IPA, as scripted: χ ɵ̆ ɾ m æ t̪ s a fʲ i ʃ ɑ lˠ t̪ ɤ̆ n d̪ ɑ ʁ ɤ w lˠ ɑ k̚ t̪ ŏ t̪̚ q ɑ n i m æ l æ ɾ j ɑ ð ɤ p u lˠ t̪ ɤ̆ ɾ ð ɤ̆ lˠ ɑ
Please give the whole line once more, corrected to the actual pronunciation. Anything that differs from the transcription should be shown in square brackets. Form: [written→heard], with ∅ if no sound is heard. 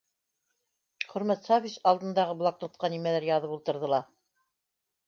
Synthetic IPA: χ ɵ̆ ɾ m æ t̪ s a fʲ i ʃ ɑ lˠ [t̪→d̪] ɤ̆ n d̪ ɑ ʁ ɤ [w→b] lˠ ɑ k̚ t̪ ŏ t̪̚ q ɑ n i m æ l æ ɾ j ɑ ð ɤ p u lˠ t̪ ɤ̆ ɾ ð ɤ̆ lˠ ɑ